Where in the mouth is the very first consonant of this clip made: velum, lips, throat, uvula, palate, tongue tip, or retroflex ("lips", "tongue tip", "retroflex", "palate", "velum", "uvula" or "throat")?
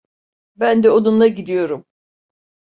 lips